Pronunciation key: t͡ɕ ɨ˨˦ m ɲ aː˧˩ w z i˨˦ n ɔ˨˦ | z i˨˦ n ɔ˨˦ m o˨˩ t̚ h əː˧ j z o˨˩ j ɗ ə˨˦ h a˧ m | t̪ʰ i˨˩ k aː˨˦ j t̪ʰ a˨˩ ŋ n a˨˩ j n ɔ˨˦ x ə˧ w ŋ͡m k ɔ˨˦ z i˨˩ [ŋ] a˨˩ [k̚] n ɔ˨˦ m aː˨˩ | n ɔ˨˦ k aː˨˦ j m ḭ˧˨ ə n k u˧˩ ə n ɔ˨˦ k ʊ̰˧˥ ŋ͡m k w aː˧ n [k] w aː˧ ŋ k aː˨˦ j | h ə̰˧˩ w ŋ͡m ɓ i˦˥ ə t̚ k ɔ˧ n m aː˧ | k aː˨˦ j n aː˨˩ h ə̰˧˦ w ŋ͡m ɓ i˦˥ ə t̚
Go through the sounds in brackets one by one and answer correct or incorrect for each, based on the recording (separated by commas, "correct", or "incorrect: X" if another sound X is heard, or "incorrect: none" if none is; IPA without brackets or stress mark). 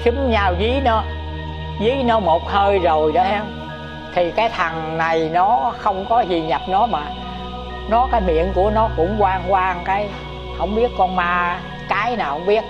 incorrect: ɲ, incorrect: p̚, correct